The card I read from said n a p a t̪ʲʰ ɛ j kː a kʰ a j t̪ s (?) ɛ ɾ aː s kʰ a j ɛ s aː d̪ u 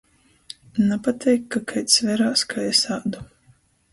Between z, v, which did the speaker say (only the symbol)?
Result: v